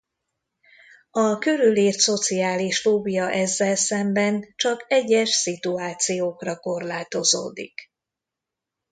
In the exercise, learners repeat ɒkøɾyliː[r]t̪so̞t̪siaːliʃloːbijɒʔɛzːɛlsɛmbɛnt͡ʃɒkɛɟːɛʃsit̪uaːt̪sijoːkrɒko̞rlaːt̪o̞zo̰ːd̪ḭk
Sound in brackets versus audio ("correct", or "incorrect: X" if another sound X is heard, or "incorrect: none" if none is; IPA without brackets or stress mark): correct